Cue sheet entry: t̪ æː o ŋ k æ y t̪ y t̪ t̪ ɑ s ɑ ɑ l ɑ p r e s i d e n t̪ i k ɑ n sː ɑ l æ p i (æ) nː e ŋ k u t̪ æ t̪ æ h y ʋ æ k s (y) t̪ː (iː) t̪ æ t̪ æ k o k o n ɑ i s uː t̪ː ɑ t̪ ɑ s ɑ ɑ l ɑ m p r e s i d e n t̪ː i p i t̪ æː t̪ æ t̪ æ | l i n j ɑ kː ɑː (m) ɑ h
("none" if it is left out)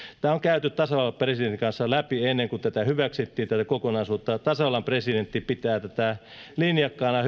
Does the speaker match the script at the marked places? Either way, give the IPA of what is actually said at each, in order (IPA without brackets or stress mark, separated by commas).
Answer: e, i, iː, n